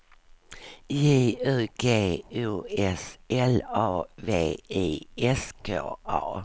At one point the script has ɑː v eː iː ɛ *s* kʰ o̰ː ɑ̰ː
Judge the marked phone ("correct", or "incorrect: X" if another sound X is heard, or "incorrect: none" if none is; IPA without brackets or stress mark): correct